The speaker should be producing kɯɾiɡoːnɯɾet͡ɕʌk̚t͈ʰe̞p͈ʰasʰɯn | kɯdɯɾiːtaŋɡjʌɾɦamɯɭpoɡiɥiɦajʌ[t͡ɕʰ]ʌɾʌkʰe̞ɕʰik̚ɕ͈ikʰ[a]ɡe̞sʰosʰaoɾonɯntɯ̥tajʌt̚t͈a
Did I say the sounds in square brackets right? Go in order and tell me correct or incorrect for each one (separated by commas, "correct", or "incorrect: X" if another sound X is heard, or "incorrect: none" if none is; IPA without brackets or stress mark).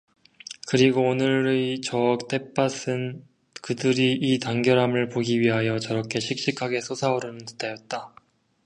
incorrect: t͡ɕ, correct